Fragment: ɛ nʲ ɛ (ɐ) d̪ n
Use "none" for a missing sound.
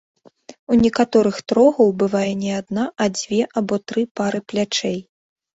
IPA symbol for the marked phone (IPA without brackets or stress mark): a